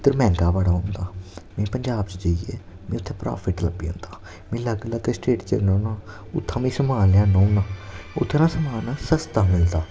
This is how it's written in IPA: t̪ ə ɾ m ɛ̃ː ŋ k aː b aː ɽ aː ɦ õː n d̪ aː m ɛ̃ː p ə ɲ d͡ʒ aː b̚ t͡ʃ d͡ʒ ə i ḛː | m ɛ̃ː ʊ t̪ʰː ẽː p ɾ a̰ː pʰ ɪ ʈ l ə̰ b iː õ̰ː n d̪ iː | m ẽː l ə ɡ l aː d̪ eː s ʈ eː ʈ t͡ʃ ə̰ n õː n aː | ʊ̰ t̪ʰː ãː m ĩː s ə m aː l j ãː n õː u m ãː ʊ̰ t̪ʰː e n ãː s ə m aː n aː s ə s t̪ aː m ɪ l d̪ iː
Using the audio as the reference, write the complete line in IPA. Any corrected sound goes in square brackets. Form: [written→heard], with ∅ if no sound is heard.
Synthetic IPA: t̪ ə ɾ m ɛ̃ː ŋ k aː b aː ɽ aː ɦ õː n d̪ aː m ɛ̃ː p ə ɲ d͡ʒ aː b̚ t͡ʃ d͡ʒ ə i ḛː | m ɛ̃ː ʊ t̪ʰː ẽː p ɾ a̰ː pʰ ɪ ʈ l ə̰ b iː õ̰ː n d̪ [iː→aː] | m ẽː l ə ɡ l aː [d̪→t̪] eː s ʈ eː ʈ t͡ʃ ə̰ n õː n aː | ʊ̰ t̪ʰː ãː m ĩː s ə m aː l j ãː n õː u [m→n] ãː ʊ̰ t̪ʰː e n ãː s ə m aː n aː s ə s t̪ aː m ɪ l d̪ [iː→aː]